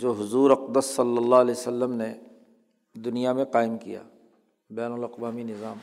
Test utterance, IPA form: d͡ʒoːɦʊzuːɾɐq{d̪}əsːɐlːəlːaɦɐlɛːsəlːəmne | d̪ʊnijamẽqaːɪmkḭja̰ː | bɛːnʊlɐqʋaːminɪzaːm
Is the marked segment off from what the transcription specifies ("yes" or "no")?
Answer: no